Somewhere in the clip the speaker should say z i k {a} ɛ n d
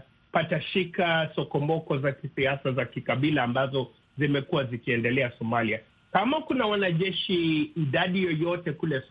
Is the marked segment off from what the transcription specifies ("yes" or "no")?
yes